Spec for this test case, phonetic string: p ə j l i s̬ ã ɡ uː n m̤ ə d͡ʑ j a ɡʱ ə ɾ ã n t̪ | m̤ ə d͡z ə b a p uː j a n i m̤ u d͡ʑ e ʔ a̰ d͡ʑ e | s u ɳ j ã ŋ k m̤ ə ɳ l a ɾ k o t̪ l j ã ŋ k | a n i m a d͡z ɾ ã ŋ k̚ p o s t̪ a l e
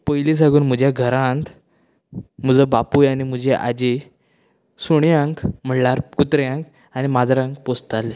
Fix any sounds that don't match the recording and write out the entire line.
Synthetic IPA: p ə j l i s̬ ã ɡ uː n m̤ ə d͡ʑ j a ɡʱ ə ɾ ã n t̪ | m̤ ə d͡z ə b a p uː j a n i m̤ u d͡ʑ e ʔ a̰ d͡ʑ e | s u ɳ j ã ŋ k m̤ ə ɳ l a ɾ k u t̪ ɾ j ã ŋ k | a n i m a d͡z ɾ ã ŋ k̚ p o s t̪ a l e

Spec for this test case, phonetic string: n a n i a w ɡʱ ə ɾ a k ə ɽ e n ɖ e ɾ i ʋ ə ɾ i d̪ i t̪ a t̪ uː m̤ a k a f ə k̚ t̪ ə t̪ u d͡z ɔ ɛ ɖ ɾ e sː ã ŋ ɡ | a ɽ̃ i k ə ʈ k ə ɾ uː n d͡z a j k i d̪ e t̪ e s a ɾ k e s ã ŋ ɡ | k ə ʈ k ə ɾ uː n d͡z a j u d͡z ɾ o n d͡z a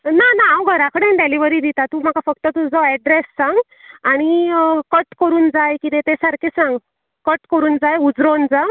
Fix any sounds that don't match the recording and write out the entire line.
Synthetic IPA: n a n a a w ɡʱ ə ɾ a k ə ɽ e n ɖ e l i ʋ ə ɾ i d̪ i t̪ a t̪ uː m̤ a k a f ə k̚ t̪ ə t̪ u d͡z ɔ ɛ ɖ ɾ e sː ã ŋ ɡ | a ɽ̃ i k ə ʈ k ə ɾ uː n d͡z a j k i t̪ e t̪ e s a ɾ k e s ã ŋ ɡ | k ə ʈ k ə ɾ uː n d͡z a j u d͡z ɾ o n d͡z a

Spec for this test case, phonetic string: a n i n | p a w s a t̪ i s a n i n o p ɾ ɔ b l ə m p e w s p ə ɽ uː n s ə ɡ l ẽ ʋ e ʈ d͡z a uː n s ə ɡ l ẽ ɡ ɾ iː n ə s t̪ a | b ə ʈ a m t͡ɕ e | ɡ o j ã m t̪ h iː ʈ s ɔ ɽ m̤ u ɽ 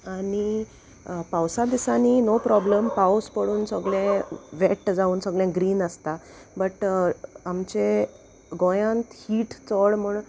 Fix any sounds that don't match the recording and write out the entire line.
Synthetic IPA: a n i | p a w s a d̪ i s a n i n o p ɾ ɔ b l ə m p a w s p ə ɽ uː n s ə ɡ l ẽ ʋ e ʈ d͡z a uː n s ə ɡ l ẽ ɡ ɾ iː n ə s t̪ a | b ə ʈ a m t͡ɕ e | ɡ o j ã n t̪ h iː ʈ t͡s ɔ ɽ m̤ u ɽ

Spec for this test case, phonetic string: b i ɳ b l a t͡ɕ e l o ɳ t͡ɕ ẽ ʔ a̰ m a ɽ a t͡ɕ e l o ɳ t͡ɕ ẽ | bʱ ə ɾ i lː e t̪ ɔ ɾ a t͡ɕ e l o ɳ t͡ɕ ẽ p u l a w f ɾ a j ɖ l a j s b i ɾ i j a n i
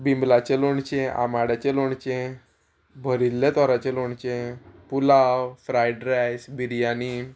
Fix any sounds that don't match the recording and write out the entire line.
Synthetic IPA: b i m b l a t͡ɕ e l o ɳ t͡ɕ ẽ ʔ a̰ m a ɽ a t͡ɕ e l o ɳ t͡ɕ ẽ | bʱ ə ɾ i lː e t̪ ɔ ɾ a t͡ɕ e l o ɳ t͡ɕ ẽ p u l a w f ɾ a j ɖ ɾ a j s b i ɾ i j a n i

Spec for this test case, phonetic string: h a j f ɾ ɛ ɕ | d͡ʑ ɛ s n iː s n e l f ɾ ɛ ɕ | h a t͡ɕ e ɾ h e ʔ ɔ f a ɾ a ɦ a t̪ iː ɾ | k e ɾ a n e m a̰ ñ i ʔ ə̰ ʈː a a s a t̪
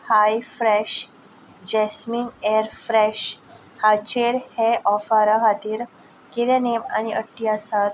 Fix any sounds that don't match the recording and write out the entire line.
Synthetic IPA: h a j f ɾ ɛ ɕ | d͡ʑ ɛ s m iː n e ɾ f ɾ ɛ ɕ | h a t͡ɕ e ɾ h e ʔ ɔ f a ɾ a ɦ a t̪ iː ɾ | k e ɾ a n e m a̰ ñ i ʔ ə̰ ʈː i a s a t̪

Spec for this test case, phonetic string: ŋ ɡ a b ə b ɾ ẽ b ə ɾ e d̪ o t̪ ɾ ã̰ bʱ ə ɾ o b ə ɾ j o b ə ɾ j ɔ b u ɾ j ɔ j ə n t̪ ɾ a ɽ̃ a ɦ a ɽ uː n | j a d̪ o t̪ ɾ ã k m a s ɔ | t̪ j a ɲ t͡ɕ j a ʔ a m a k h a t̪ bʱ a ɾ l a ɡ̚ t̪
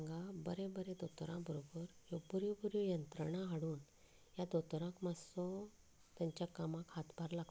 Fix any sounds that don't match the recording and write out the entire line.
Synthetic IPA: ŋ ɡ a b ə ɾ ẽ b ə ɾ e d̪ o t̪ ɾ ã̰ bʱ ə ɾ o b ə ɾ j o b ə ɾ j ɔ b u ɾ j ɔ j ə n t̪ ɾ ə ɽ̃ a ɦ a ɽ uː n | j a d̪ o t̪ ɾ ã k m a s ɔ | t̪ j a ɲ t͡ɕ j a k a m a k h a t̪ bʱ a ɾ l a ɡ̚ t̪

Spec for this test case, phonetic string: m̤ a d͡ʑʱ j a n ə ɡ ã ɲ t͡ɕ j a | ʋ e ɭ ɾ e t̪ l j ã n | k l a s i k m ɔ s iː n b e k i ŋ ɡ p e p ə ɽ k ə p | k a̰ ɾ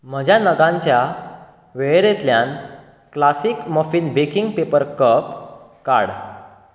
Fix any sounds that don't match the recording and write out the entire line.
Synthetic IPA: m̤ ə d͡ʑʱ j a n ə ɡ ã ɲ t͡ɕ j a | ʋ e ɭ ɾ e t̪ l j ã n | k l a s i k m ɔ f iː n b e k i ŋ ɡ p e p ə ɾ k ə p | k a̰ ɽ

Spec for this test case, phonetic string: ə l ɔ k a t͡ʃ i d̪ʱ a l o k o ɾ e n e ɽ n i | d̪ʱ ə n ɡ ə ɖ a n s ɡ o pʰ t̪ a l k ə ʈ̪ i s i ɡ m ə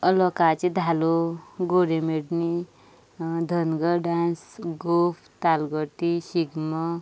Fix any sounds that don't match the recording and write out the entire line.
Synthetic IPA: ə l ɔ k a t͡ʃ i d̪ʱ a l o ɡ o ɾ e m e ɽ n i | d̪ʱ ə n ɡ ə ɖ a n s ɡ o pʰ t̪ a l ɡ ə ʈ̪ i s i ɡ m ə

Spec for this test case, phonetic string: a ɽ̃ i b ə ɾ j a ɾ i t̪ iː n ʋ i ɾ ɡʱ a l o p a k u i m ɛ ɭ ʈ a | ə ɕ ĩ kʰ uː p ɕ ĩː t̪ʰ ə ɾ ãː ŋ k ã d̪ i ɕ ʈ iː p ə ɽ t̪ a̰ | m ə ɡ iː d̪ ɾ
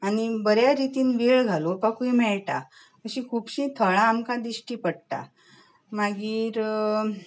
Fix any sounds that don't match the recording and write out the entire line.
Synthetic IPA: a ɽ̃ i b ə ɾ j a ɾ i t̪ iː n ʋ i ɭ ɡʱ a l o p a k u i m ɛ ɭ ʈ a | ə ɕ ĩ kʰ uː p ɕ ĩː t̪ʰ ə ɭ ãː m k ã d̪ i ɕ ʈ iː p ə ɽ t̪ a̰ | m a ɡ iː ɾ

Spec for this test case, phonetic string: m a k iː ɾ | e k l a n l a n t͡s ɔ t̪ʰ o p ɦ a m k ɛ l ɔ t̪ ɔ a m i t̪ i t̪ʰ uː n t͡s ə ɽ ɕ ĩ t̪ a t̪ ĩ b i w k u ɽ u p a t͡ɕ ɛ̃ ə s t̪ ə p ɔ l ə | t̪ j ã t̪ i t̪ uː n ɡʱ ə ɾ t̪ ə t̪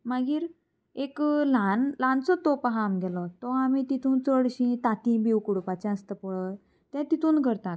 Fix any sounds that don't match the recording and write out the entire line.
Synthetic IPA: m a ɡ iː ɾ | e k l a n l a n t͡s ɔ t̪ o p ɦ a m ɡ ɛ l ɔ t̪ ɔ a m i t̪ i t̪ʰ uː n t͡s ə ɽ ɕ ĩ t̪ a t̪ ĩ b i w k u ɽ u p a t͡ɕ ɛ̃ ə s t̪ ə p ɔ ɭ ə | t̪ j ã t̪ i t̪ uː n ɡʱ ə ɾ t̪ a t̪

